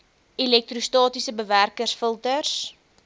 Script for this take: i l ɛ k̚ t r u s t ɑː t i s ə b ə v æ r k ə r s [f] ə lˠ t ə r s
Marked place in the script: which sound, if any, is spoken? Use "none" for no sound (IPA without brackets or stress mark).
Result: f